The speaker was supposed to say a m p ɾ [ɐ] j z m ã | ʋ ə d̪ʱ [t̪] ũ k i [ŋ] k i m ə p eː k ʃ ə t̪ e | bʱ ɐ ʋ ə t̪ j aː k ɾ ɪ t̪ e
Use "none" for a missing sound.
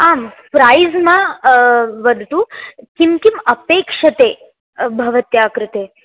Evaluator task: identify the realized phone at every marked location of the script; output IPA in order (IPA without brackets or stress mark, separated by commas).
a, t̪, m